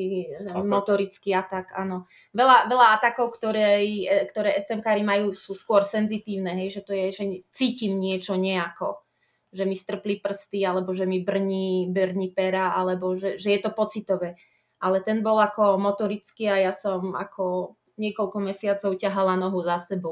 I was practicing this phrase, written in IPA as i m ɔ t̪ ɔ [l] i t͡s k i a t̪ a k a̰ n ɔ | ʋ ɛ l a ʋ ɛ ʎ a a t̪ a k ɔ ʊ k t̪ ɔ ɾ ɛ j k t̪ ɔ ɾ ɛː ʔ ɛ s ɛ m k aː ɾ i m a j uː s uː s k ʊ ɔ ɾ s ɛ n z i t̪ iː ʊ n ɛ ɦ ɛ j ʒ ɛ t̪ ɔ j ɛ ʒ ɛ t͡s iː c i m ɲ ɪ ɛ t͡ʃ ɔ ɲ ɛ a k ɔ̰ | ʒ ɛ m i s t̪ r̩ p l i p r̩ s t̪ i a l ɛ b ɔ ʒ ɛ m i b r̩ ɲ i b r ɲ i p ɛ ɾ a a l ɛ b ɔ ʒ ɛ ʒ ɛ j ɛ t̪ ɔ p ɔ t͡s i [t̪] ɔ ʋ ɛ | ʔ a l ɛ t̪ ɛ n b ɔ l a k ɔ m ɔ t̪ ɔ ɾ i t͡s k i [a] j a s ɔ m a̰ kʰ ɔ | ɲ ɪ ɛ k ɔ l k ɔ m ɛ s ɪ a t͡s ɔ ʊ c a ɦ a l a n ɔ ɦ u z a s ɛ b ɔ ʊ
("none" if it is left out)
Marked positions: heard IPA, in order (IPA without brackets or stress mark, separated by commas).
ɾ, t̪, a